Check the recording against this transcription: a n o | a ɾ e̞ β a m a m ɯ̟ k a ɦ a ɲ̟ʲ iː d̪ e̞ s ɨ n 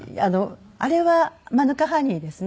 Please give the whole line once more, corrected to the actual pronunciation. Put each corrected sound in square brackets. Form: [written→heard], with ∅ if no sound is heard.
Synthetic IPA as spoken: a n o | a ɾ e̞ β a m a [m→n] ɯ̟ k a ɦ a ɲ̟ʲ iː d̪ e̞ s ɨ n